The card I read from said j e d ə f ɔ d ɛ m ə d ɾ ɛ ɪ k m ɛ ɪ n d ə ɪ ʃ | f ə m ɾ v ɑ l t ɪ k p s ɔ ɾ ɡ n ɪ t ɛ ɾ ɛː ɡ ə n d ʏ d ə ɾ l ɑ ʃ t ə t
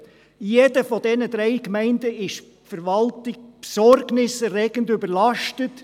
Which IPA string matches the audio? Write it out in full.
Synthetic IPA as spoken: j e d ə f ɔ d ɛ n ə d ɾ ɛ ɪ k m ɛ ɪ n d ə ɪ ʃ | f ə ɾ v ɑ l t ɪ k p s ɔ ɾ ɡ n ɪ s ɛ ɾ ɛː ɡ ə n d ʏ b ə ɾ l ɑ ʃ t ə t